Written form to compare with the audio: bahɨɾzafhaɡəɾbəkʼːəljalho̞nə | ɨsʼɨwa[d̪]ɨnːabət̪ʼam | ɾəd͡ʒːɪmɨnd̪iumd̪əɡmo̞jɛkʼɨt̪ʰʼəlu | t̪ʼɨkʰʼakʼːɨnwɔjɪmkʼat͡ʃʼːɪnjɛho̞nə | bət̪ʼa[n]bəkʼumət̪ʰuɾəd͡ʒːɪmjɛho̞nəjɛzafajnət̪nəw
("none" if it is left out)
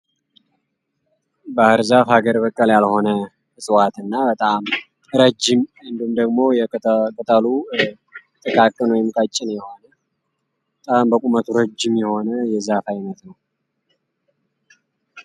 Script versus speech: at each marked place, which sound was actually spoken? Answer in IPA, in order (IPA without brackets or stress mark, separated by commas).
t̪, m